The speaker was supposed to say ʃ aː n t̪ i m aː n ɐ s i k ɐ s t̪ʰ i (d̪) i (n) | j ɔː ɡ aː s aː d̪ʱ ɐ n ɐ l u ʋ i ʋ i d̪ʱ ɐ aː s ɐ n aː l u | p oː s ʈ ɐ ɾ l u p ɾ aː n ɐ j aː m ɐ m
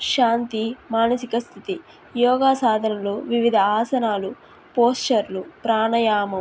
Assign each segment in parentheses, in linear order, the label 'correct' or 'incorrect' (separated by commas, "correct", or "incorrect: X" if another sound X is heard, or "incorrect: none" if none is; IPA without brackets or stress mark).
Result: incorrect: t̪, incorrect: none